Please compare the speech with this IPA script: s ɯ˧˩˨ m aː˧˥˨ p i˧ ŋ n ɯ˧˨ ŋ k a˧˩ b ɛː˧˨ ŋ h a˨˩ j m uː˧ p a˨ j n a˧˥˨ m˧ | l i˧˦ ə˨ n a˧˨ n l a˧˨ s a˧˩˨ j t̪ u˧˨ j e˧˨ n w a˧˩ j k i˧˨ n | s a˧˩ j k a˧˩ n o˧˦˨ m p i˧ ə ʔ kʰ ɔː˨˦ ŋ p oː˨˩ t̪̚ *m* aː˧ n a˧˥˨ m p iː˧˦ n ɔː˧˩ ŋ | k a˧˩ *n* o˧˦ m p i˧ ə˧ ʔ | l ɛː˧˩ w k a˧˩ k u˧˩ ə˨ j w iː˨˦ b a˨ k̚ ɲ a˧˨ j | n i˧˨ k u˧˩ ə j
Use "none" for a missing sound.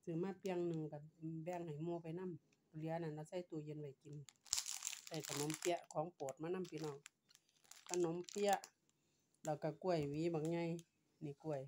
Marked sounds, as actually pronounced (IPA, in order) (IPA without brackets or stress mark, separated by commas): m, n